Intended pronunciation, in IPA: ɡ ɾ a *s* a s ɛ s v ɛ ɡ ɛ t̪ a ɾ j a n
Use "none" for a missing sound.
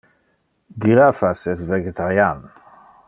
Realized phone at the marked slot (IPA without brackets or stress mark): f